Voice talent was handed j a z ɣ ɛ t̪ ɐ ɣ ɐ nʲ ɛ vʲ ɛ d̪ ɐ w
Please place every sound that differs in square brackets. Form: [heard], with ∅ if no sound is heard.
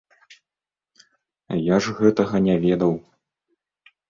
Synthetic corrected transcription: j a [ʐ] ɣ ɛ t̪ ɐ ɣ ɐ nʲ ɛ vʲ ɛ d̪ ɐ w